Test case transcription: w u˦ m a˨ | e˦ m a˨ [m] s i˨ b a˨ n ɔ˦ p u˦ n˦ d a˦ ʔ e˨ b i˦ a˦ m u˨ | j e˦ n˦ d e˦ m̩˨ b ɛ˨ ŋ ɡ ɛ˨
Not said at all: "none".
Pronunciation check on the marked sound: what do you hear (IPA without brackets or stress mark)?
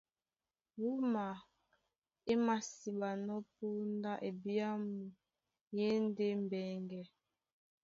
none